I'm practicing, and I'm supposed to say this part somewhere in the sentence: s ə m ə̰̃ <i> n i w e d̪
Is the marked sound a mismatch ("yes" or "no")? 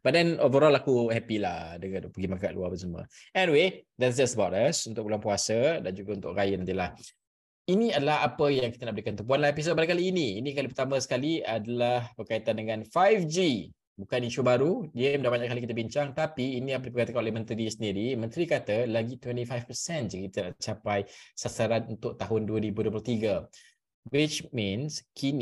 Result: yes